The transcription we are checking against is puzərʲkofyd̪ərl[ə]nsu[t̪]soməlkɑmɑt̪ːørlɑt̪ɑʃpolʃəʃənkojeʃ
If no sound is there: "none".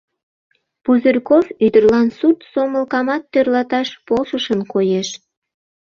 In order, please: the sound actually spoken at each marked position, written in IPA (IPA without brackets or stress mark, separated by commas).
ɑ, t̪